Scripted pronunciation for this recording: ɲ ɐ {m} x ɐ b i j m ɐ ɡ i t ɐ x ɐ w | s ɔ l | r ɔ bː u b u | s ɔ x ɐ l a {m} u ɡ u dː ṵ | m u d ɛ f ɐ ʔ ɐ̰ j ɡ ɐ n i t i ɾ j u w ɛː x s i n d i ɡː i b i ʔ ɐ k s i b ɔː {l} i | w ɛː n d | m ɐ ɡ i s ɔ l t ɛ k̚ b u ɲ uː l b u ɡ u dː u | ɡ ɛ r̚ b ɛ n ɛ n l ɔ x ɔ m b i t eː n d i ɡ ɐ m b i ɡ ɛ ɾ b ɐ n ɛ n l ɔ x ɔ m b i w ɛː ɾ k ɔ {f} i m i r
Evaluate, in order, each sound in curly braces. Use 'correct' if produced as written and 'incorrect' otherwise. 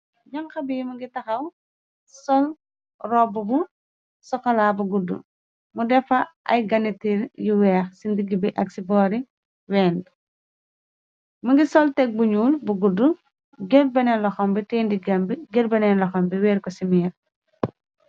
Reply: incorrect: ŋ, incorrect: b, incorrect: ɾ, incorrect: s

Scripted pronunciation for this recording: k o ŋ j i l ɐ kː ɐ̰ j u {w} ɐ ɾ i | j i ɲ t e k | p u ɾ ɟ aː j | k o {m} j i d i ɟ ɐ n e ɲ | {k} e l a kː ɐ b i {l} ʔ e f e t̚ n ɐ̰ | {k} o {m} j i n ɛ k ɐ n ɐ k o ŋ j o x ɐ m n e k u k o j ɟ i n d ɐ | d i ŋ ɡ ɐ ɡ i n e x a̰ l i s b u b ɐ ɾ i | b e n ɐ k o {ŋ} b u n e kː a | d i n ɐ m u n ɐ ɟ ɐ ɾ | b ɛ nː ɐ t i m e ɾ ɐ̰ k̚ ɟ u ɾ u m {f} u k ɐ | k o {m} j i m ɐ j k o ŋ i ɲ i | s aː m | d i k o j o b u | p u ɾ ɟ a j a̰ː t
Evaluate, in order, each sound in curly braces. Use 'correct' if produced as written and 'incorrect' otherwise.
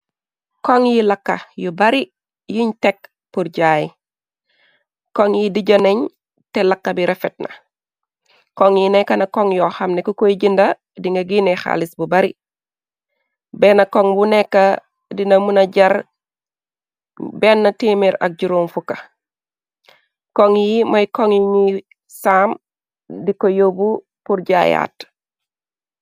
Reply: incorrect: b, incorrect: ŋ, incorrect: t, incorrect: ɾ, correct, incorrect: ŋ, correct, correct, incorrect: ŋ

